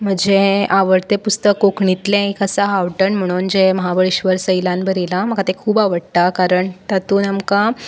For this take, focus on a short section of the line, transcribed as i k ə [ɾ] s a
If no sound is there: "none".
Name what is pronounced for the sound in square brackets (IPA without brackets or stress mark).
none